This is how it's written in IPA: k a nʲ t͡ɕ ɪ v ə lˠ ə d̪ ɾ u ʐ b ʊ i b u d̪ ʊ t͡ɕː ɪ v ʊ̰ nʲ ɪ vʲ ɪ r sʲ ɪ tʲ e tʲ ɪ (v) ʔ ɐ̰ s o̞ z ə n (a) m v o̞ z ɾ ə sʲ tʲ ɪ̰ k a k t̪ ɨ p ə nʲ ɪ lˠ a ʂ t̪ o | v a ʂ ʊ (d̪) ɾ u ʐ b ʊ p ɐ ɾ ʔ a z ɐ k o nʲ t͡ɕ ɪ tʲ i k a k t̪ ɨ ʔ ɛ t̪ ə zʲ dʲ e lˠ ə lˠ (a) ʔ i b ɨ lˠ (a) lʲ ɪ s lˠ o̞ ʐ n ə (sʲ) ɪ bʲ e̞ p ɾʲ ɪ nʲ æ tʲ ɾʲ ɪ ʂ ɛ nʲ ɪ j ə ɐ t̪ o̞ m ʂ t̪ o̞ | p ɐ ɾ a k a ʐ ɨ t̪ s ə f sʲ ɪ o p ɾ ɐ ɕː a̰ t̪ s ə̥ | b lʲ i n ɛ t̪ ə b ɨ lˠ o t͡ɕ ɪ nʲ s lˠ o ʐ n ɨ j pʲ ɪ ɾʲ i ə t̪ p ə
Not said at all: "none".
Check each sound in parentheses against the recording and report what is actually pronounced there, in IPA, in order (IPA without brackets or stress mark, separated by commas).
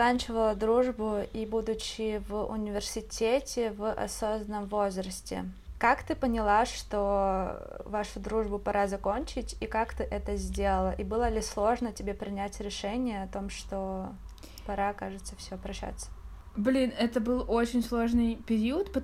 v, ə, d̪, ə, ə, tʲ